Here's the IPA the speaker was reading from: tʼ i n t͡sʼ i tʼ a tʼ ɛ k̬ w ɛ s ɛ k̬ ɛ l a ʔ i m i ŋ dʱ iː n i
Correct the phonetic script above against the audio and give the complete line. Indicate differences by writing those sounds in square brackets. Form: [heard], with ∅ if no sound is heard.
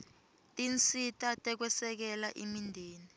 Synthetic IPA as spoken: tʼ i n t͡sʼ i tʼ a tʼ ɛ k̬ w ɛ s ɛ k̬ ɛ l a ʔ i m i [n] dʱ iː n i